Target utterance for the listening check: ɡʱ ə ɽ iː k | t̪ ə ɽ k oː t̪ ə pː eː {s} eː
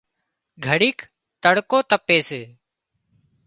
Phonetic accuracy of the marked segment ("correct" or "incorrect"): correct